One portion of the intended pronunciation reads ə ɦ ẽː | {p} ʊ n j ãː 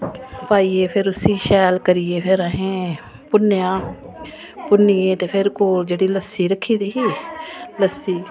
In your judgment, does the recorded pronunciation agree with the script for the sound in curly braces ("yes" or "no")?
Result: yes